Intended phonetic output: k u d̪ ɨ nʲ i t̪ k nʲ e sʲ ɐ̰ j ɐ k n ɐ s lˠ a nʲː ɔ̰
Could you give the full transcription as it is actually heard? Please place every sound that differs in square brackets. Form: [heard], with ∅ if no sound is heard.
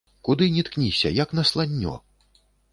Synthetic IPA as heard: k u d̪ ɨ nʲ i t̪ k nʲ [i] sʲ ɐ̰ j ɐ k n ɐ s lˠ a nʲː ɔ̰